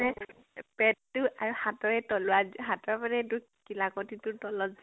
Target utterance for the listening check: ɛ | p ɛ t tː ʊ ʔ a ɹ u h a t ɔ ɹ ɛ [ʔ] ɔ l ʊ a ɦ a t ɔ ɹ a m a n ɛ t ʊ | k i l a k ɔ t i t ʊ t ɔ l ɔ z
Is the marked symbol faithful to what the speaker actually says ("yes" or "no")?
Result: no